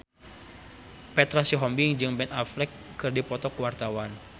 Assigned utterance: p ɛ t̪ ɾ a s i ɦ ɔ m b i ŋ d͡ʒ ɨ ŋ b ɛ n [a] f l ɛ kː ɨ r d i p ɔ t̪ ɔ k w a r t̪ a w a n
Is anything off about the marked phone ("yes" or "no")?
no